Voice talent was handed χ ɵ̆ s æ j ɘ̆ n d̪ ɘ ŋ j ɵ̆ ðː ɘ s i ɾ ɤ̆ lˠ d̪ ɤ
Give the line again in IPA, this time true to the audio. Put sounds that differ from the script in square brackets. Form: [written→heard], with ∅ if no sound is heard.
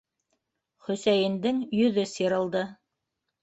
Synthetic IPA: χ ɵ̆ s æ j ɘ̆ n d̪ ɘ ŋ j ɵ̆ [ðː→ð] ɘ s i ɾ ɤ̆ lˠ d̪ ɤ